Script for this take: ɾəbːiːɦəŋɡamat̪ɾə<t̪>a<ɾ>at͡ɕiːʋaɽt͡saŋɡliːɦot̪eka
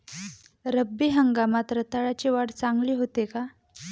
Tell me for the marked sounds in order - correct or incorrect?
correct, incorrect

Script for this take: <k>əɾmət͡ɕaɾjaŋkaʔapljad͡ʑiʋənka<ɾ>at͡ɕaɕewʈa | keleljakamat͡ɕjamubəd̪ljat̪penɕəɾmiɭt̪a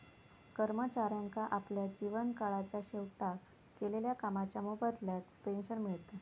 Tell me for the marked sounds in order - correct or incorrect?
correct, incorrect

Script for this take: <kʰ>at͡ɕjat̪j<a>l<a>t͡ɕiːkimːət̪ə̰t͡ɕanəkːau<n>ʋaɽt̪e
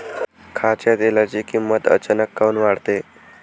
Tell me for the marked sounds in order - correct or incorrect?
correct, incorrect, correct, correct

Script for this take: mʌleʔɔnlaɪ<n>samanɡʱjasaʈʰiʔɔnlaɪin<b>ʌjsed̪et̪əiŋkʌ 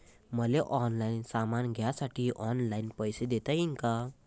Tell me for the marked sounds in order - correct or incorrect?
correct, incorrect

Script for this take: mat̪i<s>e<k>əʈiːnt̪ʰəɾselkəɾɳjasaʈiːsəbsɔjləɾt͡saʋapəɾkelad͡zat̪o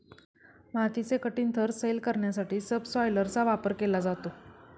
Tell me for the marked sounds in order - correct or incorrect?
incorrect, correct

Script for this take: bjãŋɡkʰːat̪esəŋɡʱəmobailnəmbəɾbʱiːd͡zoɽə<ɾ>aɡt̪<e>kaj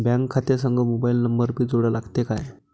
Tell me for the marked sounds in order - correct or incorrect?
incorrect, correct

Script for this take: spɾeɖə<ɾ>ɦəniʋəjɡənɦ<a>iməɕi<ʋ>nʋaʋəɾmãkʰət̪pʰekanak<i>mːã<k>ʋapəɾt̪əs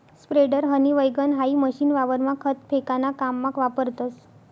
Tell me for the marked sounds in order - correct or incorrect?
correct, correct, incorrect, incorrect, correct

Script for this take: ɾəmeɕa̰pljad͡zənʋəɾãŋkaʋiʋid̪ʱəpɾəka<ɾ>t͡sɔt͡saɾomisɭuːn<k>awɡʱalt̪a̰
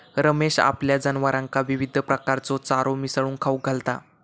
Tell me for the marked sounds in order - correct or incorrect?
correct, incorrect

